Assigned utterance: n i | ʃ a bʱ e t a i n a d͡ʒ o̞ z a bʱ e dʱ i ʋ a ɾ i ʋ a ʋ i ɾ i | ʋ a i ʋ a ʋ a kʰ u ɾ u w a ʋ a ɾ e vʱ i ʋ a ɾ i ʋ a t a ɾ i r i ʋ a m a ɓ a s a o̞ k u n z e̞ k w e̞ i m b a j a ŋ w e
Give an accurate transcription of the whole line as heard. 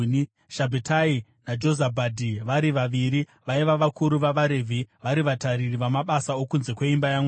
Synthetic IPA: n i | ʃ a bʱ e t a i n a d͡ʒ o̞ z a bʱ a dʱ i ʋ a ɾ i ʋ a ʋ i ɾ i | ʋ a i ʋ a ʋ a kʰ u ɾ u ʋ a ʋ a ɾ e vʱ i ʋ a ɾ i ʋ a t a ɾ i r i ʋ a m a ɓ a s a o̞ k u n z e̞ k w e̞ i m b a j a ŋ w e